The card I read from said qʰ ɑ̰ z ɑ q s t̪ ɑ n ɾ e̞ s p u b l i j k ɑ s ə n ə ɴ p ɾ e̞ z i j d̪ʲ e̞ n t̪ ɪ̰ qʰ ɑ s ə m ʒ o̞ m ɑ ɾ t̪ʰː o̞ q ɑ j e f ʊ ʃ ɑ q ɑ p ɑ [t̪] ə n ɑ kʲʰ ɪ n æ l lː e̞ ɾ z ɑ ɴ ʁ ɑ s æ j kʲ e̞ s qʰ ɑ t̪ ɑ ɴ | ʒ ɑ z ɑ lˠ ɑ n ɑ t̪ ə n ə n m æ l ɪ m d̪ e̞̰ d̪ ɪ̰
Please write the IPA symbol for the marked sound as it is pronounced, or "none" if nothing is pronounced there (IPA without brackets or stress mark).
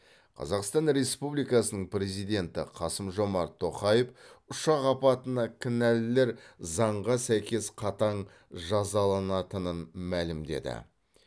t̪